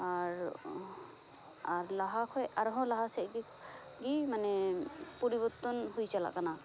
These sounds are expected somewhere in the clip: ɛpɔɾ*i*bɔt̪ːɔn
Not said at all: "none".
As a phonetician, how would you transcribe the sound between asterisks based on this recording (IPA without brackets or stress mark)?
i